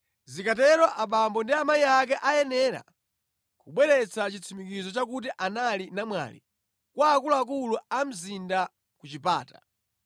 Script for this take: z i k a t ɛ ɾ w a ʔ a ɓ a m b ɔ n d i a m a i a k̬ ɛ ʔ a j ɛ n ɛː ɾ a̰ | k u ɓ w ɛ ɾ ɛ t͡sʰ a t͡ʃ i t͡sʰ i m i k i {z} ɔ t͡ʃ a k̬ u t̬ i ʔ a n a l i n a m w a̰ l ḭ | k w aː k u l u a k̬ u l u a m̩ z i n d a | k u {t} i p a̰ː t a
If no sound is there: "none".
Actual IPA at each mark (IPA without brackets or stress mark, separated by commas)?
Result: z, t͡ʃ